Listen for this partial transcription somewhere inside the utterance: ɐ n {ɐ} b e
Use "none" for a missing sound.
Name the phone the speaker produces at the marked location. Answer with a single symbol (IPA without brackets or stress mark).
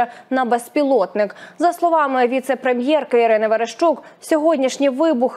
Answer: ɐ